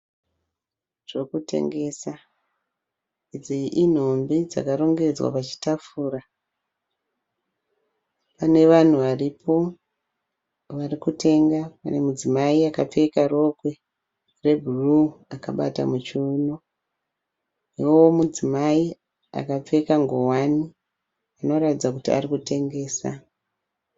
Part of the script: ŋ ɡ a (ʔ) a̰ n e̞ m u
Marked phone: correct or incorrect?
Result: incorrect